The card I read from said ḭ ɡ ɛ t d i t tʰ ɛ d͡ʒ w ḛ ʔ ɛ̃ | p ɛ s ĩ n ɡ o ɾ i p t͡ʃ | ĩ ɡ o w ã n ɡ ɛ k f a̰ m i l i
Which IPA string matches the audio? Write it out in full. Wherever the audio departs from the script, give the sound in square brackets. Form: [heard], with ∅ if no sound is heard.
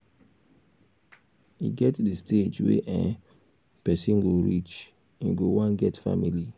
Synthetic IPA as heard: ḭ ɡ ɛ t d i [s] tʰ [e] d͡ʒ w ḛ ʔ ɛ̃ | p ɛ s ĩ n ɡ o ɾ i [∅] t͡ʃ | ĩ ɡ o w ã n ɡ ɛ [t] f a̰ m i l i